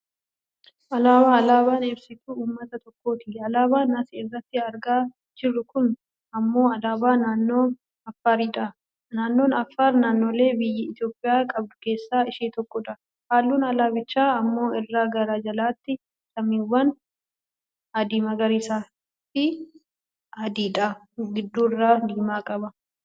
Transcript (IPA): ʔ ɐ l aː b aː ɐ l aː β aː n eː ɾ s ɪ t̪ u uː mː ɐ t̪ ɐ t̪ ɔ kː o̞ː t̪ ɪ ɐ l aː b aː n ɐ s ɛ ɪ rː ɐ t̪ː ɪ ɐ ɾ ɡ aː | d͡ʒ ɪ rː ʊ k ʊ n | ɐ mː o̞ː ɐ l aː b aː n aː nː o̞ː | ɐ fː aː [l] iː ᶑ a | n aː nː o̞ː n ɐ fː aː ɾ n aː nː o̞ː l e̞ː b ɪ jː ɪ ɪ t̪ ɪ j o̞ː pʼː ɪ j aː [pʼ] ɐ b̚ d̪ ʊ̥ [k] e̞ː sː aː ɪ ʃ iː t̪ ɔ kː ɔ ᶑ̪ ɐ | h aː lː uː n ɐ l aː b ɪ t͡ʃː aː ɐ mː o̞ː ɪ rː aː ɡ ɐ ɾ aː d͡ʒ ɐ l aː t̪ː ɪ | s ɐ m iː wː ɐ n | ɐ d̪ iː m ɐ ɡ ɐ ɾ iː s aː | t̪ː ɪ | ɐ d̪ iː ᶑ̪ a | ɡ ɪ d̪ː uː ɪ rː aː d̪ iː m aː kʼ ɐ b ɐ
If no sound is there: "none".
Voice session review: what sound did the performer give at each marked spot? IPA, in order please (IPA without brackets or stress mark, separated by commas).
ɾ, kʼ, k